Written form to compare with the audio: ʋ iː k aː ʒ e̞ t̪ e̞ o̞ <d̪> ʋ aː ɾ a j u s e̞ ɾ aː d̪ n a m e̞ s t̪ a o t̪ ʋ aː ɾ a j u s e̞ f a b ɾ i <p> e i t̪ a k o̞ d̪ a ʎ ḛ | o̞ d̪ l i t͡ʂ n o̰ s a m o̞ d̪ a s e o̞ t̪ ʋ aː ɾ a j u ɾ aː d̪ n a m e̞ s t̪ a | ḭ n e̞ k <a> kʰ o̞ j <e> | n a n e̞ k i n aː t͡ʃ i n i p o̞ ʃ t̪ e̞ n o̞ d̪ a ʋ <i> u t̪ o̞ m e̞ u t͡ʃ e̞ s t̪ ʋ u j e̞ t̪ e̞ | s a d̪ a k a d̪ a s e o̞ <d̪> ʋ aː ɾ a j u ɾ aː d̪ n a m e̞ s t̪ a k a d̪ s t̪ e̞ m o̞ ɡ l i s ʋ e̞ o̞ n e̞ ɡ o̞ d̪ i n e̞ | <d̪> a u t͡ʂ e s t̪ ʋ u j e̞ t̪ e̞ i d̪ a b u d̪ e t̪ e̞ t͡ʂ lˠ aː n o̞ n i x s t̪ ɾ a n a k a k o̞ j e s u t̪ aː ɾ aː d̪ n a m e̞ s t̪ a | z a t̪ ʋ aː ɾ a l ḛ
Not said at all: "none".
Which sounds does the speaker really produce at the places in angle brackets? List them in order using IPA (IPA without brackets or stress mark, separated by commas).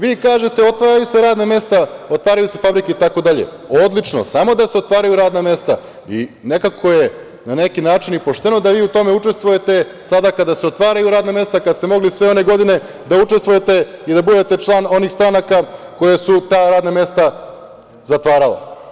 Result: t̪, k, a, e, iː, t̪, d̪